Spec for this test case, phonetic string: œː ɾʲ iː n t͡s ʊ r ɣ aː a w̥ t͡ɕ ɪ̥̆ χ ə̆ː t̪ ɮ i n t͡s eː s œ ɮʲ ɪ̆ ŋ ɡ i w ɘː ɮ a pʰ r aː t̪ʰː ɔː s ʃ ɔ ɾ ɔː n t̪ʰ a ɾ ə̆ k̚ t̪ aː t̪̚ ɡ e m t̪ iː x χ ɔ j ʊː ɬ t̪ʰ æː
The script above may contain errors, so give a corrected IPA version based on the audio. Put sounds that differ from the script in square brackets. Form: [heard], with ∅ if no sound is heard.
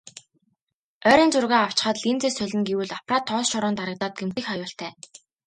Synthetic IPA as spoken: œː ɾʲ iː n t͡s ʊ r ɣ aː a w̥ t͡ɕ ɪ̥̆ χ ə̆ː t̪ ɮ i n t͡s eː s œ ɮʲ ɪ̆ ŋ ɡ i w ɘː ɮ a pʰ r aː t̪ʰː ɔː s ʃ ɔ ɾ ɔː n [t̪] a ɾ ə̆ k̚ t̪ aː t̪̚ ɡ e m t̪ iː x χ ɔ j ʊː ɬ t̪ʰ æː